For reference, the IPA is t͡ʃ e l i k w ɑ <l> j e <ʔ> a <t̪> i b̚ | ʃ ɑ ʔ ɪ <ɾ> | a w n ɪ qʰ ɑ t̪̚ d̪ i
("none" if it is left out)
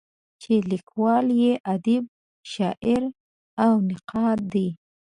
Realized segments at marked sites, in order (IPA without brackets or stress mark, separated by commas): l, ʔ, d̪, ɾ